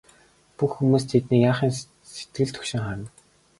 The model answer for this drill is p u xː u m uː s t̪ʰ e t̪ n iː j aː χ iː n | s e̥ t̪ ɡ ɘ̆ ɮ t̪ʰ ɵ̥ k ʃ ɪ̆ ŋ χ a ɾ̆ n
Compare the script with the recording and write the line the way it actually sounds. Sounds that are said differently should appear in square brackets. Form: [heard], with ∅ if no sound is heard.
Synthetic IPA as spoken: p u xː u m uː s t̪ʰ e t̪ n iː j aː χ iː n | s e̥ t̪ ɡ ɘ̆ ɮ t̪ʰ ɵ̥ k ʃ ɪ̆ ŋ χ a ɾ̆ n